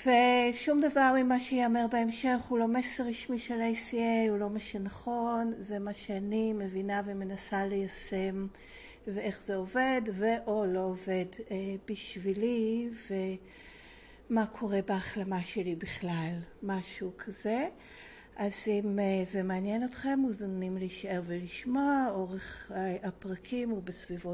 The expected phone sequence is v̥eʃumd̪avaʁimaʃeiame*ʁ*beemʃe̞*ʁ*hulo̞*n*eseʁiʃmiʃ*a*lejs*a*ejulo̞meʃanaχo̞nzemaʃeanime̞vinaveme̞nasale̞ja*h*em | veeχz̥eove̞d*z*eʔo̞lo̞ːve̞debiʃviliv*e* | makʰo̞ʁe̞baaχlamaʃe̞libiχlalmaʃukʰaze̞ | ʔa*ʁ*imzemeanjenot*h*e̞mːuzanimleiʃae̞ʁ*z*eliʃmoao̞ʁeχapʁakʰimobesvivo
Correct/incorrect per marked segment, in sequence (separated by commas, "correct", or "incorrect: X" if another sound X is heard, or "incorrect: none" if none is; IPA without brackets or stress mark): correct, incorrect: χ, incorrect: m, incorrect: e, incorrect: i, incorrect: s, incorrect: v, correct, incorrect: z, incorrect: χ, incorrect: v